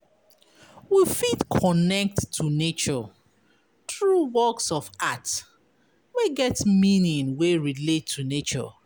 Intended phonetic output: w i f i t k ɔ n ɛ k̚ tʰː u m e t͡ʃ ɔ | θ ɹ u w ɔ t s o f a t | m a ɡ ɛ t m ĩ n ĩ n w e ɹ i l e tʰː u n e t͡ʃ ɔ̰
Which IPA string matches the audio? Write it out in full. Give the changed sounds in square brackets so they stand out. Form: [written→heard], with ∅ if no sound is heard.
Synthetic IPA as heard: w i f i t [k→kʰ] ɔ n ɛ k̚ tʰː u [m→n] e t͡ʃ ɔ | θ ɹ u w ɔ [t→k] s [o→ɔ] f a t | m [a→e] ɡ ɛ t m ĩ n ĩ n w e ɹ i l e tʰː u n e t͡ʃ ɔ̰